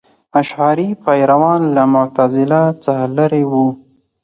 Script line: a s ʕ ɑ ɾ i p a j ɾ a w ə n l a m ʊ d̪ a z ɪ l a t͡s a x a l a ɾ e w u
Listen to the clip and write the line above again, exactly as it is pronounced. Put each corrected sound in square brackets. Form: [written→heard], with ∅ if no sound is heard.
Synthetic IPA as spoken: a [s→ʃ] ʕ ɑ ɾ i p a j ɾ a w [ə→ɑ] n l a m ʊ [d̪→t̪] a z ɪ l a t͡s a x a l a ɾ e w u